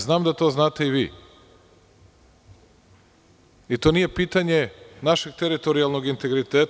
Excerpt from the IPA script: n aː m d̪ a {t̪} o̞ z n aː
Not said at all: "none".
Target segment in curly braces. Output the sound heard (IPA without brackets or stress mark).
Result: t̪